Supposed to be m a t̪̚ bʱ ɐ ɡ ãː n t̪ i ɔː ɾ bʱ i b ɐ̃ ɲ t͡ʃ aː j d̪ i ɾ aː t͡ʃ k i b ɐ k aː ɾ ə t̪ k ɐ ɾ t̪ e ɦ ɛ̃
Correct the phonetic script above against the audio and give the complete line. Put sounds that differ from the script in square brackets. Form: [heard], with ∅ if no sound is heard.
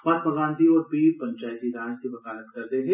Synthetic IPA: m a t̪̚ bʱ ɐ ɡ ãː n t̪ i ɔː ɾ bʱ i [p] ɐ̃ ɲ t͡ʃ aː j [t̪] i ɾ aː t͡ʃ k i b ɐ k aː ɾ ə t̪ k ɐ ɾ t̪ e ɦ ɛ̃